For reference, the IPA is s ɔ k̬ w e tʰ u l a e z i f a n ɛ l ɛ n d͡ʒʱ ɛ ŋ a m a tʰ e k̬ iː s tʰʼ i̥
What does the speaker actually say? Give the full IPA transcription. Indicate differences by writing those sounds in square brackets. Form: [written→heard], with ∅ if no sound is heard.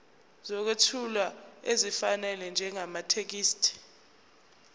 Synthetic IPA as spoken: [s→z] ɔ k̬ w e tʰ u l a e z i f a n ɛ l ɛ n d͡ʒʱ ɛ ŋ a m a tʰ e k̬ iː s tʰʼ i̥

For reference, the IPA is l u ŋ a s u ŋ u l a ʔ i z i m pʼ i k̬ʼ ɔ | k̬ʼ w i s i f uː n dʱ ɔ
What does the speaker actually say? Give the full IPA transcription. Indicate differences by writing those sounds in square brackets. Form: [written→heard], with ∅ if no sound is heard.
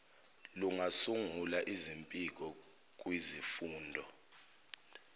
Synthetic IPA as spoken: l u ŋ a s u ŋ u l a ʔ i z i m pʼ i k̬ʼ ɔ | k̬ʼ w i [s→z] i f uː n dʱ ɔ

